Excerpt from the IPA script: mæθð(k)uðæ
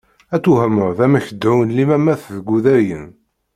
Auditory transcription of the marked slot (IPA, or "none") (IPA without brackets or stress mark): ɡ